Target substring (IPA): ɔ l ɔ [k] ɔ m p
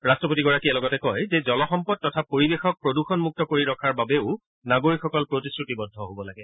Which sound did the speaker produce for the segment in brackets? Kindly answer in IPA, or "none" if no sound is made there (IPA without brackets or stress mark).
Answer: x